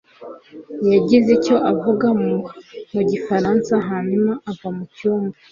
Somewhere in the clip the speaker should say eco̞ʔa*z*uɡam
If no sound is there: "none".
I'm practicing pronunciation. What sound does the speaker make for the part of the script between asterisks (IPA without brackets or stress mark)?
v